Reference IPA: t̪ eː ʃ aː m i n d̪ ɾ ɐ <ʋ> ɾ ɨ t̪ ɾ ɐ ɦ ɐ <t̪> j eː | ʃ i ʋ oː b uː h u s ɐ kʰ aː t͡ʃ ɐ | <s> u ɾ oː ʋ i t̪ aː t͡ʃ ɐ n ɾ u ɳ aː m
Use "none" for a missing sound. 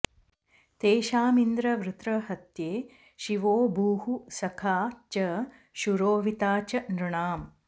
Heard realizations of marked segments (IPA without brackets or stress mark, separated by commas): ʋ, t̪, ʃ